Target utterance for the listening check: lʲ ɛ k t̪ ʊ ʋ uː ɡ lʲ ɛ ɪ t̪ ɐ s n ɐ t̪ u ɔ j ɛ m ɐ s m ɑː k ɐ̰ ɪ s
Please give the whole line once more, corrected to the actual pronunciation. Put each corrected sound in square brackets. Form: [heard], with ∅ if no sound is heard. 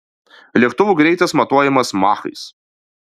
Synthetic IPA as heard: lʲ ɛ k t̪ ʊ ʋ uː ɡ [ɾʲ] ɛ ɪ t̪ ɐ s [m] ɐ t̪ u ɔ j ɛ m ɐ s m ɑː [x] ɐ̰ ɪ s